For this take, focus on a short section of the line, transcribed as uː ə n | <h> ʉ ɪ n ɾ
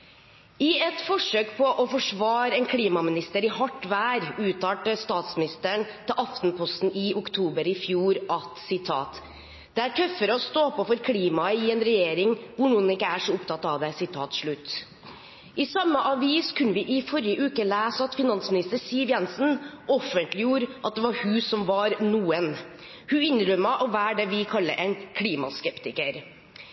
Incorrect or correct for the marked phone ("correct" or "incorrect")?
correct